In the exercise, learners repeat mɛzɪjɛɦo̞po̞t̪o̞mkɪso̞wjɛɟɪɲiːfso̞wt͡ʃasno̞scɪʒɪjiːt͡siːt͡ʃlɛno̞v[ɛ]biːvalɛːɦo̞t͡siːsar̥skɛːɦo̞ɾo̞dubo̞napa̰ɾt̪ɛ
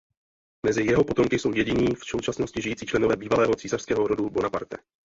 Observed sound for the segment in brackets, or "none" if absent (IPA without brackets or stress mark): ɛː